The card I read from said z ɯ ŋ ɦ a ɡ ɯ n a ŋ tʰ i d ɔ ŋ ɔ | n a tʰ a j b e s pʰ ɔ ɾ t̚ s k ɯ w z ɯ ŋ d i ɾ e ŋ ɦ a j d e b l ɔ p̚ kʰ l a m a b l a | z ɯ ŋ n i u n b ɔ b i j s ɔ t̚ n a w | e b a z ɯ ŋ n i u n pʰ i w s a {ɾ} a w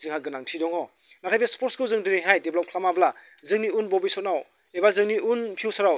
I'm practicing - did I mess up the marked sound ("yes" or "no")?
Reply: no